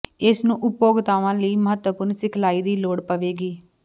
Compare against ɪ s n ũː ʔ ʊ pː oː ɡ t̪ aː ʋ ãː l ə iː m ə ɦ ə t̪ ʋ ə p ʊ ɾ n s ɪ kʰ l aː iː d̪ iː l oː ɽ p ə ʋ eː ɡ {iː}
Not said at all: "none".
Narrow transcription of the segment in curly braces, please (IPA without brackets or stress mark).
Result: iː